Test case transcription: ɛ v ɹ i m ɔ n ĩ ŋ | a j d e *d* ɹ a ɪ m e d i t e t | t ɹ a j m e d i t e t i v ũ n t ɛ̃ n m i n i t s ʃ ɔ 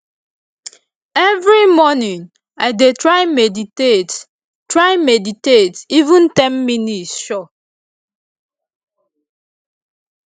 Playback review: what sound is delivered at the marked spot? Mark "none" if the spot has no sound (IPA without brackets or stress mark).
t